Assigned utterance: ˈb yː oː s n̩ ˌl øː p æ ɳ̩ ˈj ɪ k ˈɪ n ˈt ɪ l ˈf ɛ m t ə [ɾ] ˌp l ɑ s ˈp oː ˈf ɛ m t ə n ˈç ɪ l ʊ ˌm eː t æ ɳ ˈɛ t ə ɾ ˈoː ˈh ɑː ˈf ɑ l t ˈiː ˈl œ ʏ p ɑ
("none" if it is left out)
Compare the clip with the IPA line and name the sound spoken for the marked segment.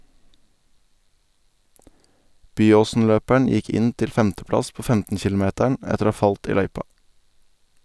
none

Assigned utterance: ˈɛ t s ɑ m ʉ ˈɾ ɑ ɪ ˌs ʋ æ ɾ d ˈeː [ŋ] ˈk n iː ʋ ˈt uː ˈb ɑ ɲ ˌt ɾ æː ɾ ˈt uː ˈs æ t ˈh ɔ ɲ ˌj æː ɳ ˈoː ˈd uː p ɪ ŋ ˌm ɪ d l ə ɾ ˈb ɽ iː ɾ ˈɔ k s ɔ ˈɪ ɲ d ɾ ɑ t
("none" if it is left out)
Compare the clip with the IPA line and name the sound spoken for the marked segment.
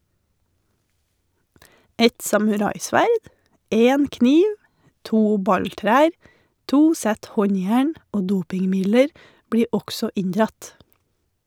n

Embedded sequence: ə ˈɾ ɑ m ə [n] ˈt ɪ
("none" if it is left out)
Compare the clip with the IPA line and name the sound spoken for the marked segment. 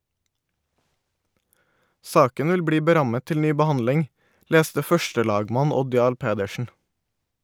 none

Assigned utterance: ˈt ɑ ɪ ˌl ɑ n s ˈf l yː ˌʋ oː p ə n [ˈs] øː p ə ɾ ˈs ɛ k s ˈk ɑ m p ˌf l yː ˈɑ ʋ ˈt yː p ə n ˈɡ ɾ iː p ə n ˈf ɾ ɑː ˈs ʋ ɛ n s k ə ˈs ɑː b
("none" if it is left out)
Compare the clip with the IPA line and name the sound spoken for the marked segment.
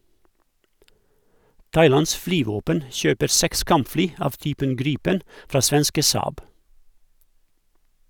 ʃ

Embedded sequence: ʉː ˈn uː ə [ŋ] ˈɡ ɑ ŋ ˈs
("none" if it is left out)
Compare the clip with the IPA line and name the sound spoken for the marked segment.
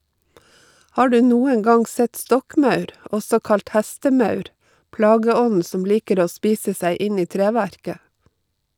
ŋ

